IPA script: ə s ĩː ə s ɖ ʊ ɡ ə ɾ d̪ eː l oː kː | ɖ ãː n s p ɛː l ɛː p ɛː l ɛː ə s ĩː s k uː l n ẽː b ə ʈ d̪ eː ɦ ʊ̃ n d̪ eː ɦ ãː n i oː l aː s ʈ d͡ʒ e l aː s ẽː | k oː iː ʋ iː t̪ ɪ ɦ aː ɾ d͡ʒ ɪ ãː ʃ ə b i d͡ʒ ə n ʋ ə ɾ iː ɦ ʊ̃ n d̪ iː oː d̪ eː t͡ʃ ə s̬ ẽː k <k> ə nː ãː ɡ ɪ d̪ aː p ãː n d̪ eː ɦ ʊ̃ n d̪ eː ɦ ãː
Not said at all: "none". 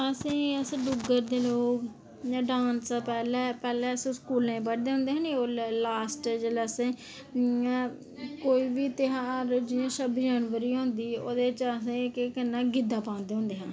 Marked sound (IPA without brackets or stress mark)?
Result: k